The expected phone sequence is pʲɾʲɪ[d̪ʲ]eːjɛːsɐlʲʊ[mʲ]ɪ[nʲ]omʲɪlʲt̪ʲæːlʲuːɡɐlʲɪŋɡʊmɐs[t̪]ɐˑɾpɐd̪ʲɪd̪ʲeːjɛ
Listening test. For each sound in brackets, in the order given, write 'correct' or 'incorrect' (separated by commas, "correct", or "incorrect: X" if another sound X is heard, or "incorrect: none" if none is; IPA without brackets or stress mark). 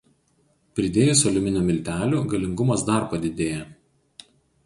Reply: correct, correct, correct, incorrect: d̪